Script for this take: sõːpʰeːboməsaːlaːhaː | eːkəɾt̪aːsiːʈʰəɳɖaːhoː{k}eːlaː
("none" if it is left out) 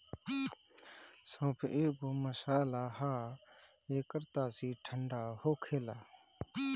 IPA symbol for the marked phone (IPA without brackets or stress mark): kʰ